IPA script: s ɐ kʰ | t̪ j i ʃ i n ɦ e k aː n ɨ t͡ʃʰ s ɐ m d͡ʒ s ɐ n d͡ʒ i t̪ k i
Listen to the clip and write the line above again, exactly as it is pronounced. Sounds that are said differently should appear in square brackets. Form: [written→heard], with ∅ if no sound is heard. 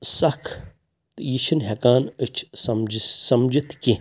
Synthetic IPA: s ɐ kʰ | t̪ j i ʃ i n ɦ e k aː n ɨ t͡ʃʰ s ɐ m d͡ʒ s ɐ [n→m] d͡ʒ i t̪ k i